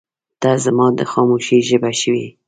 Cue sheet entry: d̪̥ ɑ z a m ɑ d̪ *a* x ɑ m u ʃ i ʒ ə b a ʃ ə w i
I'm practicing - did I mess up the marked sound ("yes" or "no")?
yes